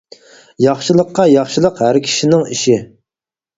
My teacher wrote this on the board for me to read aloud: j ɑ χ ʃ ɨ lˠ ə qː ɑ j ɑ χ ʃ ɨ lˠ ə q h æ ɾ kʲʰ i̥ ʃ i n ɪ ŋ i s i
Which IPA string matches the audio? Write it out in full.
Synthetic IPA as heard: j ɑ χ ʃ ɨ lˠ ə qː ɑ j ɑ χ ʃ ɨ lˠ ə q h æ ɾ kʲʰ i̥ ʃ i n ɪ ŋ i ʃ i